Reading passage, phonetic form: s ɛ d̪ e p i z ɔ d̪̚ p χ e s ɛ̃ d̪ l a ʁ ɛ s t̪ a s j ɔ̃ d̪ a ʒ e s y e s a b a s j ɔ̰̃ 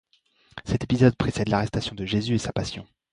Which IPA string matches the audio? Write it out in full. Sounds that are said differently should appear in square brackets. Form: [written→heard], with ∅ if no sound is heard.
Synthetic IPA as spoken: s ɛ [d̪→t̪] e p i z ɔ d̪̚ p χ e s [ɛ̃→ɛ] d̪ l a ʁ ɛ s t̪ a s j ɔ̃ d̪ [a→ə] ʒ e [s→z] y e s a [b→p] a s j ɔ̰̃